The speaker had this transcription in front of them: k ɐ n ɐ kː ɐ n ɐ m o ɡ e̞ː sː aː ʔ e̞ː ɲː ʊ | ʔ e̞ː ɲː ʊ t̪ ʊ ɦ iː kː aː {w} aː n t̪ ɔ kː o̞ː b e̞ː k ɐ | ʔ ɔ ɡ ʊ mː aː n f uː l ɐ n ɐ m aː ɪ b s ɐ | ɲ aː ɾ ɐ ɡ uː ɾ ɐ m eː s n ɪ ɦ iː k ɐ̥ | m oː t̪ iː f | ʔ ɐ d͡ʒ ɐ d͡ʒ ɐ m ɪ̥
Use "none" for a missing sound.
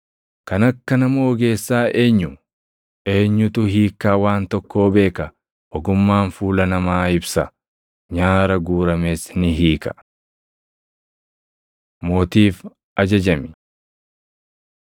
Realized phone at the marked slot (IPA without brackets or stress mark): w